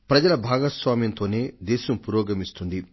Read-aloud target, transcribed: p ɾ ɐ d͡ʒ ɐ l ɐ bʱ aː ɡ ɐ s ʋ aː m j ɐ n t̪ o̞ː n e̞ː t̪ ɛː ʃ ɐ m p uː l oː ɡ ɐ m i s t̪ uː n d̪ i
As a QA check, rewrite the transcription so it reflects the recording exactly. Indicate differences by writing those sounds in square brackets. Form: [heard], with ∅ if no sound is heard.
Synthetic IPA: p ɾ ɐ d͡ʒ ɐ l ɐ bʱ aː ɡ ɐ s ʋ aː m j ɐ n t̪ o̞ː n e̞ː [d̪] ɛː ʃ ɐ m p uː [ɾ] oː ɡ ɐ m i s t̪ [u] n d̪ i